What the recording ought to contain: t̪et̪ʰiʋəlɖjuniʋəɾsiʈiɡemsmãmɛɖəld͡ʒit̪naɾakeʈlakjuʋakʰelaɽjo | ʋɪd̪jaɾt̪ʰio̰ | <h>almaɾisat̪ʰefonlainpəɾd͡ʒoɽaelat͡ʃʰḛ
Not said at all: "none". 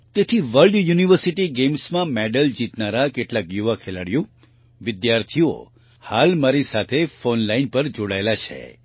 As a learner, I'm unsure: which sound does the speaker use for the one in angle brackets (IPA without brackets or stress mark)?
h